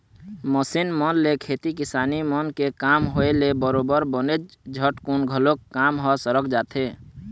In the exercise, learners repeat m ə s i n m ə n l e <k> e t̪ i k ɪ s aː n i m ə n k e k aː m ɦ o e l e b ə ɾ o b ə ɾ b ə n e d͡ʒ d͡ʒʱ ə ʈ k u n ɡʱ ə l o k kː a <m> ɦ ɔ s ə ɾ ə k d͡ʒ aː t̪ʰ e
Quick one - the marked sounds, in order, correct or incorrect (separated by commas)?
incorrect, correct